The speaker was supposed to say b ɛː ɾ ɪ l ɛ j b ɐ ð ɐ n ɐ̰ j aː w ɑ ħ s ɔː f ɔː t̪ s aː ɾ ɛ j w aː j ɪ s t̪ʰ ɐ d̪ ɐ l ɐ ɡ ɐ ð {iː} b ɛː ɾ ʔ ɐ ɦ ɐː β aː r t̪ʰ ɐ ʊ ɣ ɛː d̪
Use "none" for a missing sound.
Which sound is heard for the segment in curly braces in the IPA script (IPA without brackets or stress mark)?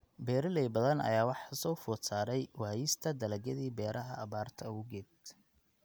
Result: iː